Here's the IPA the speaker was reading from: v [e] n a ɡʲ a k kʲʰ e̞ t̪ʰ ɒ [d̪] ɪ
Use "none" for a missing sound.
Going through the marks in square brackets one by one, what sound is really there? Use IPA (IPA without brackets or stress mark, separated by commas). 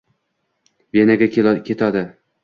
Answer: e, d̪